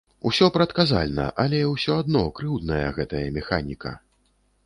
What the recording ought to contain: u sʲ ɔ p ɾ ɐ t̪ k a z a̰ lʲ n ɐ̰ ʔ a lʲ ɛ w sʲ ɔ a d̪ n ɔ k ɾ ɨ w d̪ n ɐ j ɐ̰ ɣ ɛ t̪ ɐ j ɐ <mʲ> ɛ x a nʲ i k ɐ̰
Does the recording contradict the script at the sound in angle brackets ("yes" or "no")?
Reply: no